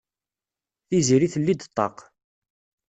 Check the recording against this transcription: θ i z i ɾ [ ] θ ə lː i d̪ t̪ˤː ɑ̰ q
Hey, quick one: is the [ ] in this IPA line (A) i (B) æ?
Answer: A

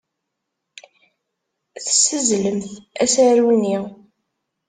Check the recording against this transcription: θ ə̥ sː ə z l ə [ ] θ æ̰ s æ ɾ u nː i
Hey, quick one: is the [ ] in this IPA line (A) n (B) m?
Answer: B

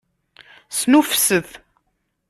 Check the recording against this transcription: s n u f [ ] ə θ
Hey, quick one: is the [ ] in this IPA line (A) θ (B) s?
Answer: B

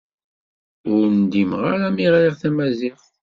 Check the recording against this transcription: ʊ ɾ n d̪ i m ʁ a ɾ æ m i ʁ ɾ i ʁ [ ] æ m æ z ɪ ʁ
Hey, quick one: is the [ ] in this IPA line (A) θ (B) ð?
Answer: A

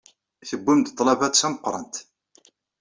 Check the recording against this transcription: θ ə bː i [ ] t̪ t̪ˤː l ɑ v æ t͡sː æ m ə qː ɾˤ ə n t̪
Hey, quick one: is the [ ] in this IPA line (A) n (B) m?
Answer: B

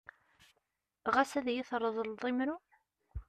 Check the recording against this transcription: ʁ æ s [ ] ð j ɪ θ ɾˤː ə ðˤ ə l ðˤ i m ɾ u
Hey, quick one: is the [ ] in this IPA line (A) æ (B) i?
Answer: A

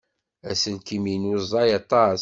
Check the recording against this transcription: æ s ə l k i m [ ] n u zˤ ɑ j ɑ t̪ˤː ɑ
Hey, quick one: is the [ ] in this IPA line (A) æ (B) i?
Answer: B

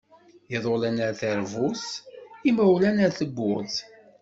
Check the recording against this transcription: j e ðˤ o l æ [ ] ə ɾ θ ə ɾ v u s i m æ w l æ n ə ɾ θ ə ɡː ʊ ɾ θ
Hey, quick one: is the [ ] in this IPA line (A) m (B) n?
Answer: B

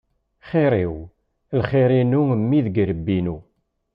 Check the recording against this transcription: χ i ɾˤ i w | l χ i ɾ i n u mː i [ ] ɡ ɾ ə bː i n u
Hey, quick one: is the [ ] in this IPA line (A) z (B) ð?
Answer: B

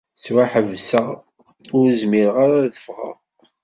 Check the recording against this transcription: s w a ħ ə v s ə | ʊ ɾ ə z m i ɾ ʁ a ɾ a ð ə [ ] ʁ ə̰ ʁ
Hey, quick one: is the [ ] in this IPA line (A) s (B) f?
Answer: B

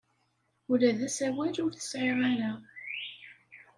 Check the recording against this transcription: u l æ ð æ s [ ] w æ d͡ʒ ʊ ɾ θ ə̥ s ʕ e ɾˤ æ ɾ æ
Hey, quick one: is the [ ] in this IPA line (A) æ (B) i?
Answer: A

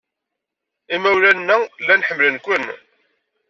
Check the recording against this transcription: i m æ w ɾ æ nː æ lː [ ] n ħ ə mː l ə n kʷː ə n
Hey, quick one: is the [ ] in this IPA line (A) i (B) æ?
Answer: B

